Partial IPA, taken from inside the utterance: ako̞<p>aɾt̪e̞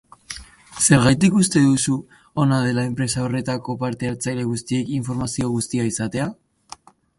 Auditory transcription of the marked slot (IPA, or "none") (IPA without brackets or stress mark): p